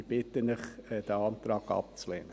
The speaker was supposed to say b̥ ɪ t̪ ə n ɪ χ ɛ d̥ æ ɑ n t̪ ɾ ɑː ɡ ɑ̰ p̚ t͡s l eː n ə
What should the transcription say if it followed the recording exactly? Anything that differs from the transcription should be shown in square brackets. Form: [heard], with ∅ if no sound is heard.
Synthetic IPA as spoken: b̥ ɪ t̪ ə n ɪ χ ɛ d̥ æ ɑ n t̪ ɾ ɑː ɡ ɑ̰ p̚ t͡s l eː n ə

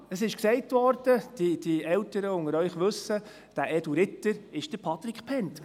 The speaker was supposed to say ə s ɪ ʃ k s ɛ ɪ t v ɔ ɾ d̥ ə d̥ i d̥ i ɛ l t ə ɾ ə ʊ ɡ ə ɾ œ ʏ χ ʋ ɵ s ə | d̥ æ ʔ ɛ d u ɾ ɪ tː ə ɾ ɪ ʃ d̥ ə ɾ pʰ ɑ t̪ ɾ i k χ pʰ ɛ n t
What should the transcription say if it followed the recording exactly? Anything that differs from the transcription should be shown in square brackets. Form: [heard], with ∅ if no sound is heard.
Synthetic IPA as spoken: ə s ɪ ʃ k s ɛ ɪ t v ɔ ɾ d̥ ə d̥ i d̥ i ɛ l t ə ɾ ə ʊ [ŋ] ə ɾ œ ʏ χ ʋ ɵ s ə | d̥ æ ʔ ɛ d u ɾ ɪ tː ə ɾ ɪ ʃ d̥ ə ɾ pʰ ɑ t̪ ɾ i k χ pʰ ɛ n t

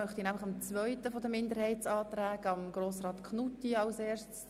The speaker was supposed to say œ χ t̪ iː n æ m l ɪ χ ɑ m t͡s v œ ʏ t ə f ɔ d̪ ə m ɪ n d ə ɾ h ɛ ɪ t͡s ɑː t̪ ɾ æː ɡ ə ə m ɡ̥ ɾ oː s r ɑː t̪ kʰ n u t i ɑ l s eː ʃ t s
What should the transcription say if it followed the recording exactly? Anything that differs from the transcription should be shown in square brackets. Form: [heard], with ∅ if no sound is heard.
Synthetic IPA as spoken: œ χ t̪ [i] n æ m l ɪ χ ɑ m t͡s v œ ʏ t ə f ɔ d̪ ə m ɪ n d ə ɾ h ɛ ɪ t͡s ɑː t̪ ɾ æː ɡ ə [ɑ] m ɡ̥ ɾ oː s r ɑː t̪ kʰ n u t i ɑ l s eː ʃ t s

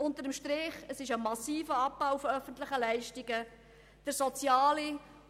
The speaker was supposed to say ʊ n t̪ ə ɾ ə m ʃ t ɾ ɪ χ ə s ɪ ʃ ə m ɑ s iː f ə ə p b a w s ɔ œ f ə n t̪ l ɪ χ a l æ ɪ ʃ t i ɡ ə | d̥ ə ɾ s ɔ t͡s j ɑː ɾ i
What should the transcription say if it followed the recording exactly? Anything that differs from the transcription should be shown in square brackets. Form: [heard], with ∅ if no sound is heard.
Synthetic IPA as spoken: ʊ n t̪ ə ɾ ə m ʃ t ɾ ɪ χ ə s ɪ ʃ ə m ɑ s iː f ə [ɑ] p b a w [f] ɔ œ f ə n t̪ l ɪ χ [ə] l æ ɪ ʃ t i ɡ ə | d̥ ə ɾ s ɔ t͡s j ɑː [l] i

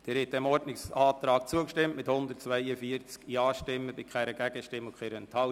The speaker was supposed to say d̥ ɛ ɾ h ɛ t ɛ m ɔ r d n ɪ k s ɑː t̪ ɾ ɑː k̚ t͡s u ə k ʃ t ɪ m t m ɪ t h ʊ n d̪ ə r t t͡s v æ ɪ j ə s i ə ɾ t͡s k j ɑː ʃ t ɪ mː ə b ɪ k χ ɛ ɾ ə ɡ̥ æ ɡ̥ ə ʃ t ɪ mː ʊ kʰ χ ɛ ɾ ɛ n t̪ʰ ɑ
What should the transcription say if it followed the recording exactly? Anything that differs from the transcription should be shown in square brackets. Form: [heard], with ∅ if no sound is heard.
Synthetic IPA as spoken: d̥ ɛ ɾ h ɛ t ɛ m ɔ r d n ɪ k s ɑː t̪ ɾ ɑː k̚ t͡s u ə k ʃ t ɪ m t m ɪ t h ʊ n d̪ ə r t t͡s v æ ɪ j ə [f] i ə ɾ t͡s k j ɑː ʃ t ɪ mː ə b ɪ k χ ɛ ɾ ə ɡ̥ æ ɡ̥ ə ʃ t ɪ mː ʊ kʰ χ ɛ ɾ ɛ n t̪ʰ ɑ

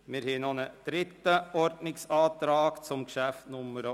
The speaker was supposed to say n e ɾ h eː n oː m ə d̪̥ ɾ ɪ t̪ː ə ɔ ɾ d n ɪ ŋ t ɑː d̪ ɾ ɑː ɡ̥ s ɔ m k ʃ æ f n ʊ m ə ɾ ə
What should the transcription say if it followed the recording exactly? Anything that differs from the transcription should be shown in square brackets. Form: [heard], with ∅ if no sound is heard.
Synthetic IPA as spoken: [m] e ɾ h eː n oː [n] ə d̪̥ ɾ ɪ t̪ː ə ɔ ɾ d n ɪ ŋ [s] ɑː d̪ ɾ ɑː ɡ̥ s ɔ m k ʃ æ f n ʊ m ə ɾ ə

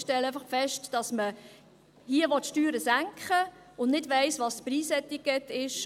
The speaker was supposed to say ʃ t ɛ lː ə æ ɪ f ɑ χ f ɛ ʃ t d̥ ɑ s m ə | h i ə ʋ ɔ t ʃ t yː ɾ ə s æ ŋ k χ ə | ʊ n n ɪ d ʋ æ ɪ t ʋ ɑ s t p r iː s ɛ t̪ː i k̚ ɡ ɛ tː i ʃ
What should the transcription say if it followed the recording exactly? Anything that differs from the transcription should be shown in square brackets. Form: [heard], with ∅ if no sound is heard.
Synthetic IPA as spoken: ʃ t ɛ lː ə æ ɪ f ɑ χ f ɛ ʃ t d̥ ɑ s m ə | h i ə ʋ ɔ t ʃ t yː ɾ ə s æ ŋ k χ ə | ʊ n n ɪ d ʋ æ ɪ [s] ʋ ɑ s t p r iː s ɛ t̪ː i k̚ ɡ ɛ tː [ɪ] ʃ

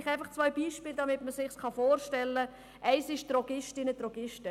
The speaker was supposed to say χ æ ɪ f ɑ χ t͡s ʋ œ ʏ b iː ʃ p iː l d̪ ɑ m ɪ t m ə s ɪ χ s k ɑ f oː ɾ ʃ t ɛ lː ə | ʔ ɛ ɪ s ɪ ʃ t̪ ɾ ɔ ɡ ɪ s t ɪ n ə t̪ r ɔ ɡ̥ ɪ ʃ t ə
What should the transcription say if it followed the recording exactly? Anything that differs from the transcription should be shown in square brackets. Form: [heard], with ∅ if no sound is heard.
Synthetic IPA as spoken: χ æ ɪ f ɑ χ t͡s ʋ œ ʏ b iː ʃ p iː l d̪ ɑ m ɪ t m ə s ɪ χ s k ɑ f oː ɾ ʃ t ɛ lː ə | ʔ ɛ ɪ s ɪ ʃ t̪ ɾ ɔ ɡ ɪ [ʃ] t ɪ n ə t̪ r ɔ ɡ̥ ɪ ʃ t ə

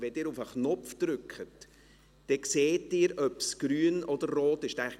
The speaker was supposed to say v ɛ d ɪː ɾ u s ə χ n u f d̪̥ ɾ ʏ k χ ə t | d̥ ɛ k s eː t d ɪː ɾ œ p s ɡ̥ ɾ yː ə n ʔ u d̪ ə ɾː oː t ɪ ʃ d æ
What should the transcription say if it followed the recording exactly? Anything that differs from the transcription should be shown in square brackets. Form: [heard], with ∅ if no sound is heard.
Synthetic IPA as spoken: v ɛ d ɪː ɾ u [f] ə χ n [ɔ] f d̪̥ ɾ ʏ k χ ə t | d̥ ɛ k s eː t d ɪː ɾ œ p s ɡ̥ ɾ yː ə n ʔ [ɔ] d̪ ə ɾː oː t ɪ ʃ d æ

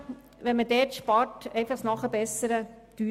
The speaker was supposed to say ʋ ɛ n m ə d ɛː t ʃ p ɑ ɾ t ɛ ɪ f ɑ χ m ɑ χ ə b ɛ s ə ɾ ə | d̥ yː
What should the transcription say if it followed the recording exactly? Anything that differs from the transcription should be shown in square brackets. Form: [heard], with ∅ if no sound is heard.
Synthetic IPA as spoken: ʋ ɛ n m ə d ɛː t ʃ p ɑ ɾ t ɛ ɪ f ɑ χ [n] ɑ χ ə b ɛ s ə ɾ ə | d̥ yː

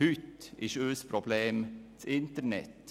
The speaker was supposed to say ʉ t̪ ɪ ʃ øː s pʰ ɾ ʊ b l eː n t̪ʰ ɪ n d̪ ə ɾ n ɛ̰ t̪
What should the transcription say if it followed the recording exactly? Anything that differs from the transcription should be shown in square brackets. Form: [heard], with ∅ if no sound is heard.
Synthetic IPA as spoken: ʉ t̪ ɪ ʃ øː s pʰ ɾ ʊ b l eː [m] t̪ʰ ɪ n [t̪] ə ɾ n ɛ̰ t̪

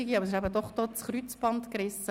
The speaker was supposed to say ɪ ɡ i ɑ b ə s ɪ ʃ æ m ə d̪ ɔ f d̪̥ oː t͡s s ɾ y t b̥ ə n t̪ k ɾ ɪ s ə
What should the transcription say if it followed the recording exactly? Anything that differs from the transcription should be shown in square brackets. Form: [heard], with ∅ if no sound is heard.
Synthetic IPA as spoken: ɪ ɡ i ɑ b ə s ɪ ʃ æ [b] ə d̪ ɔ [χ] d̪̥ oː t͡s [χ] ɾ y [t͡s] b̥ [ɑ] n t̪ k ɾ ɪ s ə

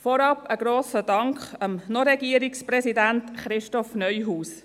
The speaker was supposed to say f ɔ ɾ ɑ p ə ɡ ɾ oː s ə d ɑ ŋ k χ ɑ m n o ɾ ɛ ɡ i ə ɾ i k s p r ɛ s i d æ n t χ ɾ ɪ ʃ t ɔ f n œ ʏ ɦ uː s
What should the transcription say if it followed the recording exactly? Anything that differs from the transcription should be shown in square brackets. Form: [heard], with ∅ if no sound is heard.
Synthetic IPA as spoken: f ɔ ɾ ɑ p ə ɡ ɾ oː s ə d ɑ ŋ k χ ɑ m n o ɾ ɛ ɡ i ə ɾ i k s p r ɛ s i d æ n t χ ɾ ɪ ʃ t ɔ f n œ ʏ ɦ uː s

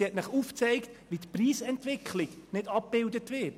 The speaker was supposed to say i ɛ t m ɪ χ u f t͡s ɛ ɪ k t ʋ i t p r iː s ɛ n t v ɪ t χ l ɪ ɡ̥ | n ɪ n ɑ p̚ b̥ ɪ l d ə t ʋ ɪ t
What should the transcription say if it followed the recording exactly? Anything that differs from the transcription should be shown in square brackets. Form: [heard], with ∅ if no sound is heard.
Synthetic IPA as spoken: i ɛ t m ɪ χ u f t͡s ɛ ɪ k t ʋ i t p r iː s ɛ n t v ɪ [k] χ l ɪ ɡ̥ | n ɪ [d] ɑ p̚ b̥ ɪ l d ə t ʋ ɪ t

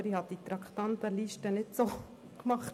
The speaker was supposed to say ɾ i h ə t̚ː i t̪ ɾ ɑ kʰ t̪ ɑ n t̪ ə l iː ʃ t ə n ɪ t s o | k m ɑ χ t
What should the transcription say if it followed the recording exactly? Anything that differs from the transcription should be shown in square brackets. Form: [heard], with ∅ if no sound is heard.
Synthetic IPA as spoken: ɾ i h [ɑ] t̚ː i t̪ ɾ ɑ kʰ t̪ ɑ n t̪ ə l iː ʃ t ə n ɪ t s o | k m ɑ χ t

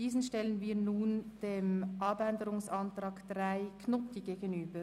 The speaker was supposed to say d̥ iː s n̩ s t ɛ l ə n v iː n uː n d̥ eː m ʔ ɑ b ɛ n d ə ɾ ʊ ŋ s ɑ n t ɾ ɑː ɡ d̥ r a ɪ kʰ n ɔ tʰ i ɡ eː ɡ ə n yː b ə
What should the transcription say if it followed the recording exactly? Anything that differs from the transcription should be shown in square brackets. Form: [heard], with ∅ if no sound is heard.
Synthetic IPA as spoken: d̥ iː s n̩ [ʃ] t ɛ l ə n v iː n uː n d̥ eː m ʔ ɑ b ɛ n d ə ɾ ʊ ŋ s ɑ n t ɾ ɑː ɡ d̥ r a ɪ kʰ n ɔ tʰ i ɡ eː ɡ ə n yː b ə

